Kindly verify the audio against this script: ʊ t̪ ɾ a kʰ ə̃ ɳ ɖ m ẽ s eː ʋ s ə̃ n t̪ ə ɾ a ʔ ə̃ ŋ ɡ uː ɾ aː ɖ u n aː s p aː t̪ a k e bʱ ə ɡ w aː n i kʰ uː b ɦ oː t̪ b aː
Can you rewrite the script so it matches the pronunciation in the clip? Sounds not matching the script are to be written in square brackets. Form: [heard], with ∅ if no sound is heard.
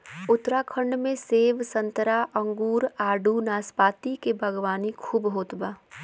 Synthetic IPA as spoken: ʊ t̪ ɾ a kʰ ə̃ ɳ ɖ m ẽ s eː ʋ s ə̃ n t̪ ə ɾ a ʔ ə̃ ŋ ɡ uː ɾ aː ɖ u n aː s p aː t̪ [i] k e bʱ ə ɡ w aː n i kʰ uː b ɦ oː t̪ b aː